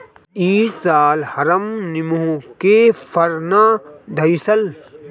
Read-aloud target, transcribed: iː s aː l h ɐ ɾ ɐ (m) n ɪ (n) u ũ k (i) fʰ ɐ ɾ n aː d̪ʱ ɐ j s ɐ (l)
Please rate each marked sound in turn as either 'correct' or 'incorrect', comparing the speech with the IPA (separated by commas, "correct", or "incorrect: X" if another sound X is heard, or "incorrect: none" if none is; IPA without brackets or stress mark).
correct, incorrect: m, incorrect: e, correct